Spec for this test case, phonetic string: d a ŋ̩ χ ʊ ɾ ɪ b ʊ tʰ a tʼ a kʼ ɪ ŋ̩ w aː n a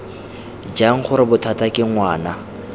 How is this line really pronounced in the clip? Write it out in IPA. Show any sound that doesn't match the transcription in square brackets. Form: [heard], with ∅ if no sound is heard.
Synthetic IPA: [d͡ʒ] a ŋ̩ χ ʊ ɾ ɪ b ʊ tʰ a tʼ a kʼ ɪ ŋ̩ w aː n a

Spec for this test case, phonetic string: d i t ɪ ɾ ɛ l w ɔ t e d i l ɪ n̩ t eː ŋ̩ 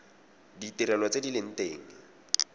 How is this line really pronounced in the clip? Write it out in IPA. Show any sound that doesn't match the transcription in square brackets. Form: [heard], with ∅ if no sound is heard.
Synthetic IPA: d i t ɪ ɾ ɛ l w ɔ [t͡s] e d i l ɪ n̩ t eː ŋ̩

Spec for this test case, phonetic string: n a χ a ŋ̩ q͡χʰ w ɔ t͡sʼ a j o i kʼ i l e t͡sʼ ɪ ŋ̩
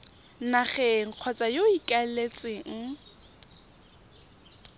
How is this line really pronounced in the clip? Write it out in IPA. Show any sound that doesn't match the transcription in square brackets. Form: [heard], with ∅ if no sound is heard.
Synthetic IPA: n a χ [ɛ] ŋ̩ q͡χʰ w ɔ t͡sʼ a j o i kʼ [a] l e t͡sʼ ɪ ŋ̩

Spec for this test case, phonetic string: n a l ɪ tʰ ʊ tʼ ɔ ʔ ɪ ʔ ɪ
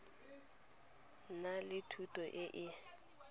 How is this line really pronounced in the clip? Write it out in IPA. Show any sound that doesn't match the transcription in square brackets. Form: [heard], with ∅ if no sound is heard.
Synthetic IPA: n a l ɪ tʰ [u] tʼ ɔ ʔ ɪ ʔ ɪ

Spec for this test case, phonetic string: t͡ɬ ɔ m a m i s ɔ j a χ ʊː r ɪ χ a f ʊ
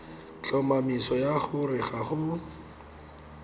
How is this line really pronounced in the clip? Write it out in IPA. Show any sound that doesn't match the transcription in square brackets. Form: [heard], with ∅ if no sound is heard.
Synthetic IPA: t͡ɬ ɔ m a m i s ɔ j a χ [ʊ] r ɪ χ a [χ] ʊ

